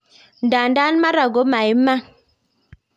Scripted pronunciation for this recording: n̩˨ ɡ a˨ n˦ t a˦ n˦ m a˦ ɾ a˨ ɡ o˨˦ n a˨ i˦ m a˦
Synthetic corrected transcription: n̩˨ d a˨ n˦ d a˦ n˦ m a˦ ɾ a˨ ɡ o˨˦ m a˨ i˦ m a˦